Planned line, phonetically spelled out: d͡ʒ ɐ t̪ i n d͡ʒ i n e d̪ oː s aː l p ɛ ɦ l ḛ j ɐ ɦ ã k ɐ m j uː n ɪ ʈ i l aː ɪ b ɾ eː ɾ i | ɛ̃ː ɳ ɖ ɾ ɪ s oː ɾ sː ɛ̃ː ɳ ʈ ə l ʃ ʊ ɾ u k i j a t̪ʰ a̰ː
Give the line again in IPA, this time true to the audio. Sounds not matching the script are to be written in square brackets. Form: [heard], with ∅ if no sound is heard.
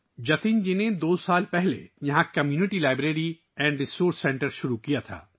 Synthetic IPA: d͡ʒ ɐ t̪ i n d͡ʒ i n e d̪ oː s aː l p ɛ ɦ l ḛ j ɐ ɦ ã k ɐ m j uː n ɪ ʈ i l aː ɪ b ɾ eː ɾ i | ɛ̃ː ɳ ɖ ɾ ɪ s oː ɾ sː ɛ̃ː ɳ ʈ ə [ɾ] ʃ ʊ ɾ u k i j a t̪ʰ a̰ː